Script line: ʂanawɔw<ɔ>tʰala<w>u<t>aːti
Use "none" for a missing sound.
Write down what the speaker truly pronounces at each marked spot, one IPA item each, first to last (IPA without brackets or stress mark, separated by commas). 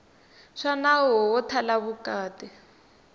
ɔ, β, k